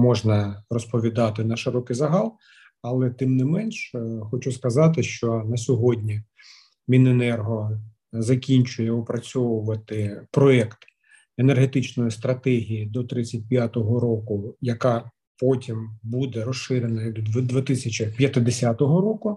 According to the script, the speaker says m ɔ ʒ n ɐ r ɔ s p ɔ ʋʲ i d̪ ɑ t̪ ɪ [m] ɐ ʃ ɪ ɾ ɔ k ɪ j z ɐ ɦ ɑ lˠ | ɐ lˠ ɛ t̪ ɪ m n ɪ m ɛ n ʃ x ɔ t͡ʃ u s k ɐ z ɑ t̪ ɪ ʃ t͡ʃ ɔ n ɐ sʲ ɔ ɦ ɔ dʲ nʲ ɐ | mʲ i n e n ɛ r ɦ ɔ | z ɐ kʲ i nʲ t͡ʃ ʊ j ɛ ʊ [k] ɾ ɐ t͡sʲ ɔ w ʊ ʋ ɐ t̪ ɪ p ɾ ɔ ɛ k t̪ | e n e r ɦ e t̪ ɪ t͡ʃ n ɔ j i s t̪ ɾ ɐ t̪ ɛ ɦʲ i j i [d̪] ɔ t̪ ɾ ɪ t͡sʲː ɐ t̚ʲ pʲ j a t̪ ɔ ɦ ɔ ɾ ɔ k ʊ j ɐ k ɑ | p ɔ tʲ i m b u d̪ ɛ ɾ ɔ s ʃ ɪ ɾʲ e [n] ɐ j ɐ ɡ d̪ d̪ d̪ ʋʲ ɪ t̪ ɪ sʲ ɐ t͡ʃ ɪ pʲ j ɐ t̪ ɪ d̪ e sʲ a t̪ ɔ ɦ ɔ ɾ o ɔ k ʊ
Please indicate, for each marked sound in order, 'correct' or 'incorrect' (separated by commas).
incorrect, incorrect, correct, correct